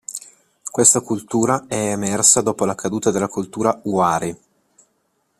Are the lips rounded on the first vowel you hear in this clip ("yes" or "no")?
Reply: no